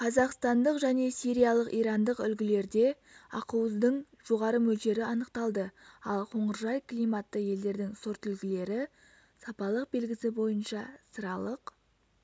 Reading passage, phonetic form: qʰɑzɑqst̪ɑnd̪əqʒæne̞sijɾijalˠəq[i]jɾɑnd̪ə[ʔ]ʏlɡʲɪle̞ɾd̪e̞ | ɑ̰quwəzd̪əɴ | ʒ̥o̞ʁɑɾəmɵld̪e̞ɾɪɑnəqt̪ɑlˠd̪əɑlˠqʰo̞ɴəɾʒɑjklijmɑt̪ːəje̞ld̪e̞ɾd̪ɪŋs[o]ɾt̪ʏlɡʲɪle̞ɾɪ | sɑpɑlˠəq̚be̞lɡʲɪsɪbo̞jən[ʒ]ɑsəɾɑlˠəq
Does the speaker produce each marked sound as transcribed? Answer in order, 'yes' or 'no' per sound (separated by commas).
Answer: yes, no, yes, no